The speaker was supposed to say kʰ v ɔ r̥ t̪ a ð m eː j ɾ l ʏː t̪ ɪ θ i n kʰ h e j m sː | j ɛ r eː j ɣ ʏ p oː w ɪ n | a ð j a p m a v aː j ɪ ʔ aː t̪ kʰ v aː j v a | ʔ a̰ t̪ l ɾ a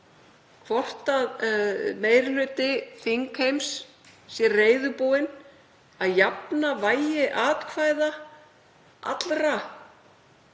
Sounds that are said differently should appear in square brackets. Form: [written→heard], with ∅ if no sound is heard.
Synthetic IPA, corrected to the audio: kʰ v ɔ r̥ t̪ a ð m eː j ɾ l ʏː t̪ ɪ θ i [n→ŋ] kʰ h e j m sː | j ɛ r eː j [ɣ→ð] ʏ p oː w ɪ n | a ð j a p [m→n] a v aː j ɪ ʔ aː t̪ kʰ v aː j [v→ð] a | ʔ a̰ t̪ l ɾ a

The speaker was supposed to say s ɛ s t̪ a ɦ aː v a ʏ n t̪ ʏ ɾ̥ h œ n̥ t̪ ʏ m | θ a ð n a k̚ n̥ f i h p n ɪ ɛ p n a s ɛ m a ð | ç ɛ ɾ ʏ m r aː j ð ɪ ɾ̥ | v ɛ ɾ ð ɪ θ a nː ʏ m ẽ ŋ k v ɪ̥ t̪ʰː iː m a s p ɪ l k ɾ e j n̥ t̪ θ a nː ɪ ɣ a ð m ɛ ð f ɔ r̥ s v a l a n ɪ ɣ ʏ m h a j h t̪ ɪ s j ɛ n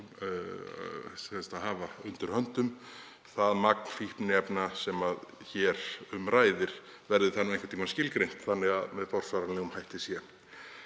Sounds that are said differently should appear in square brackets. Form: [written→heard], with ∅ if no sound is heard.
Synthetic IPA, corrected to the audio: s ɛ s t̪ a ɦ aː v a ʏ n t̪ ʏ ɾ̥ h œ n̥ t̪ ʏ m | θ a ð [n→m] a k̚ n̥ f i h p n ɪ ɛ p n a s ɛ m a ð | ç ɛ ɾ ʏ m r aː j ð ɪ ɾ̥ | v ɛ ɾ ð ɪ θ a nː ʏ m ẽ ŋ k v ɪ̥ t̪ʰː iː m a s [p→c] ɪ l k ɾ e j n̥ t̪ θ a nː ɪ ɣ a ð m ɛ ð f ɔ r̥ s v a [l→ɾ] a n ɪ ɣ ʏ m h a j h t̪ ɪ s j ɛ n

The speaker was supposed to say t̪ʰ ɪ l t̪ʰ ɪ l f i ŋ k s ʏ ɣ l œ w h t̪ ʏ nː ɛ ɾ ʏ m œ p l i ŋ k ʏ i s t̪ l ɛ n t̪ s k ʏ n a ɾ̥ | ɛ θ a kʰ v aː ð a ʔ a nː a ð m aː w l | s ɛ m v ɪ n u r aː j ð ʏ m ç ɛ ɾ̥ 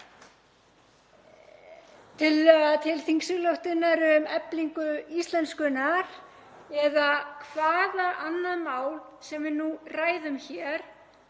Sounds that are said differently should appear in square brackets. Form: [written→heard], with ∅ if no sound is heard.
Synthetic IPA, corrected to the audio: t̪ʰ ɪ l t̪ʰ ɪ l [f→θ] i ŋ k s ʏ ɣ l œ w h t̪ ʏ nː [ɛ→a] ɾ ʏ m [œ→ɛ] p l i ŋ k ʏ i s t̪ l ɛ n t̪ s k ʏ n a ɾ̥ | ɛ [θ→ð] a kʰ v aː ð a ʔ a nː a ð m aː w l | s ɛ m v ɪ n u r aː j ð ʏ m ç ɛ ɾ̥

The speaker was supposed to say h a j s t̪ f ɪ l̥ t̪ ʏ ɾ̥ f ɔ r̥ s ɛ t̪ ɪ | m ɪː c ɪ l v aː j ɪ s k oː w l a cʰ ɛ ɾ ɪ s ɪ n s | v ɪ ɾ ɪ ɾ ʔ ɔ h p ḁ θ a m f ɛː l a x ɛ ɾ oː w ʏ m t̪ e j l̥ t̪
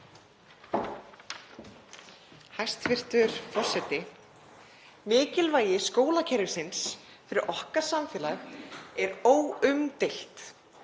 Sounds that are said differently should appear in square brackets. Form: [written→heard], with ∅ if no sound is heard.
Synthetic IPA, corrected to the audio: h a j s t̪ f ɪ [l̥→r̥] t̪ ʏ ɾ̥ f ɔ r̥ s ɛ t̪ ɪ | m ɪː c ɪ l v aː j ɪ s k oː w l a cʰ ɛ ɾ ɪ s ɪ n s | [v→f] ɪ ɾ ɪ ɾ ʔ ɔ h [p→k] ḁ [θ→s] a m f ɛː l a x ɛ ɾ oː w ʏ m t̪ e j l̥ t̪

